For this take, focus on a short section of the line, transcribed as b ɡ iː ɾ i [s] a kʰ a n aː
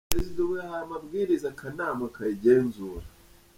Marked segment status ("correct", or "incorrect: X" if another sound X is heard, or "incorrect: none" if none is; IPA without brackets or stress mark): incorrect: z